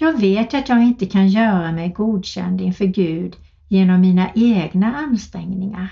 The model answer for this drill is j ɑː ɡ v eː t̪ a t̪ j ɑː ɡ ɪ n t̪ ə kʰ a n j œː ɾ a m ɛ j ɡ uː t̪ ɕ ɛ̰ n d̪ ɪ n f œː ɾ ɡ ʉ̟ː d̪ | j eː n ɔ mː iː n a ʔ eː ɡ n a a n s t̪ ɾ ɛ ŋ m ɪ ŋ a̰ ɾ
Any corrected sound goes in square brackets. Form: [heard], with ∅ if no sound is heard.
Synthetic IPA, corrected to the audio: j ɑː ɡ v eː t̪ a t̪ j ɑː ɡ ɪ n t̪ ə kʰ a n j œː ɾ a m ɛ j ɡ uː [d̪] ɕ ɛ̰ n d̪ ɪ n f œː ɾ ɡ ʉ̟ː d̪ | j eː n ɔ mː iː n a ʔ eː ɡ n a a n s t̪ ɾ ɛ ŋ [n] ɪ ŋ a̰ ɾ